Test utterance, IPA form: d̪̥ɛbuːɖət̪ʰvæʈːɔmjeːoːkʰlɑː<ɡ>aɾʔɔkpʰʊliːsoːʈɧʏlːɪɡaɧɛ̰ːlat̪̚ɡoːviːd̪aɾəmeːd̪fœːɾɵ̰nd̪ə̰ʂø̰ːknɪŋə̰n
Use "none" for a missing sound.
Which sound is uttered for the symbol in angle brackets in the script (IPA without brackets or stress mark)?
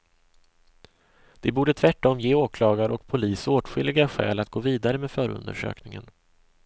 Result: ɡ